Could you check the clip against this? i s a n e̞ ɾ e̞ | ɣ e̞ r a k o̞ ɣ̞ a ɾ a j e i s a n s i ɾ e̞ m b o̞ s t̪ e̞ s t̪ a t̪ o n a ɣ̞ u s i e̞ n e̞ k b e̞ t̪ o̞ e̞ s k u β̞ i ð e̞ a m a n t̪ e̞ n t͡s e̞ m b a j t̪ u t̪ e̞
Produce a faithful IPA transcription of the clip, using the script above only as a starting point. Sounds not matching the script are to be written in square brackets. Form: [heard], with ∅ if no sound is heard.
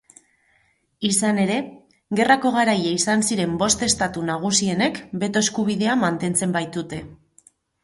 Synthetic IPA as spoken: i s a n e̞ ɾ e̞ | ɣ e̞ r a k o̞ ɣ̞ a ɾ a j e i s a n s i ɾ e̞ m b o̞ s t̪ e̞ s t̪ a t̪ [u] n a ɣ̞ u s i e̞ n e̞ k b e̞ t̪ o̞ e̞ s k u β̞ i ð e̞ a m a n t̪ e̞ n t͡s e̞ m b a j t̪ u t̪ e̞